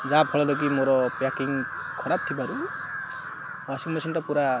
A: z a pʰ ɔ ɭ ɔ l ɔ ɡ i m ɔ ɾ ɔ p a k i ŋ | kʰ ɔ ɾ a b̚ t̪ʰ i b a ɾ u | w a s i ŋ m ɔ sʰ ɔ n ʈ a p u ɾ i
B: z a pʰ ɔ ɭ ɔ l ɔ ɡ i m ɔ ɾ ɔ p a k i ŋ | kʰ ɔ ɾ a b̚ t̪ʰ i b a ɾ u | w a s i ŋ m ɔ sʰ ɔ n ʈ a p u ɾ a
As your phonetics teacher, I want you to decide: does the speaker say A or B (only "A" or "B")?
B